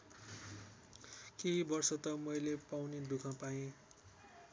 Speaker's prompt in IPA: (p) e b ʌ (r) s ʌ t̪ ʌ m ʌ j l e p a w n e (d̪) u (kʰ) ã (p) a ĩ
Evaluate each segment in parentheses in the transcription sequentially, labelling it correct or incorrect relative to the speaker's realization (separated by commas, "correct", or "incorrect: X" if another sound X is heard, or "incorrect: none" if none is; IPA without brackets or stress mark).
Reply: incorrect: k, correct, correct, correct, correct